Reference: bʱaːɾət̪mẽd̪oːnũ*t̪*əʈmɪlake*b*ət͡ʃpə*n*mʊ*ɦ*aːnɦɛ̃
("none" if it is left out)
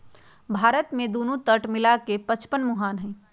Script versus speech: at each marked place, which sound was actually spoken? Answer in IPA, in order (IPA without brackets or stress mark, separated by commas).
t̪, p, n, ɦ